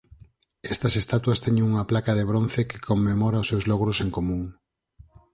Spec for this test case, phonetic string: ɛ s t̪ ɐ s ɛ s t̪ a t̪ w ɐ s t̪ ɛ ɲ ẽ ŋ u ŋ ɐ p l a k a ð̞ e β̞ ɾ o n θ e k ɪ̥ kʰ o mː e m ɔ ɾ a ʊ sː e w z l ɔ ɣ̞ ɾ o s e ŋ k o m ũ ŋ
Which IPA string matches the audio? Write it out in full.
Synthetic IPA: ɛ s t̪ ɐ s e s t̪ a t̪ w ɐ s t̪ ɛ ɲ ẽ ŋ u ŋ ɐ p l a k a ð̞ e β̞ ɾ o n θ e k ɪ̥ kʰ o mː e m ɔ ɾ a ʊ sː e w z l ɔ ɣ̞ ɾ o s e ŋ k o m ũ ŋ